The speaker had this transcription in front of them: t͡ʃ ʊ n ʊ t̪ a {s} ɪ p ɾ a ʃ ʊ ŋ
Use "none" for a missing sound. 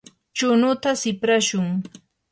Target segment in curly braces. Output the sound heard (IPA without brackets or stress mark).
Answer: s